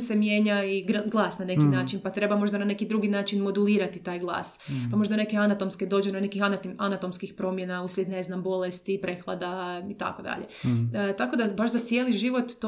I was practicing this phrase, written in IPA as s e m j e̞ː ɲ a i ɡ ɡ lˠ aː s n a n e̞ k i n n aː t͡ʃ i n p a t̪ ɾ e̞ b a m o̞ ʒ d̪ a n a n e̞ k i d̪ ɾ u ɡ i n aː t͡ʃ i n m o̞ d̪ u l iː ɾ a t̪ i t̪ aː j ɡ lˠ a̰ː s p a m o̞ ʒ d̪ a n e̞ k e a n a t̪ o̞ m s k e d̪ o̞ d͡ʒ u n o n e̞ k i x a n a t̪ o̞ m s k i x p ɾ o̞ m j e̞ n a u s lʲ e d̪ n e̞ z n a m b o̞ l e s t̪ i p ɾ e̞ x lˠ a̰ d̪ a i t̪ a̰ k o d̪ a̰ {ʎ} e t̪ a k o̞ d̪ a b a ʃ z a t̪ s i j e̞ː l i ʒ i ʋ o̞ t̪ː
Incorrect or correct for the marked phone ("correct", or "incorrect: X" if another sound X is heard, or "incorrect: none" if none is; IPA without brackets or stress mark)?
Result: correct